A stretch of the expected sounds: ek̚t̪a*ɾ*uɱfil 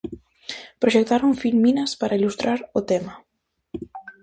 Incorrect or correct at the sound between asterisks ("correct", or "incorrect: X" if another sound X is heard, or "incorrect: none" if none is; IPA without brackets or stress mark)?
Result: correct